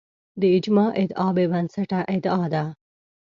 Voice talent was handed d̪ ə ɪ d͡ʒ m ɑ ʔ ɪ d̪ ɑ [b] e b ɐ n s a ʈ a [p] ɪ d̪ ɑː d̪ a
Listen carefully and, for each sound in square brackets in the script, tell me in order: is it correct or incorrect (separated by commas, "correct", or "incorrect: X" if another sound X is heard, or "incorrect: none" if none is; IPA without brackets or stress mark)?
correct, incorrect: ʔ